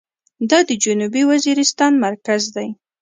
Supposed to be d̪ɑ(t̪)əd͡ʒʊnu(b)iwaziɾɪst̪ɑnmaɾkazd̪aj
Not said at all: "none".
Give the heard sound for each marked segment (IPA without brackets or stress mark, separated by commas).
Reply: d̪, b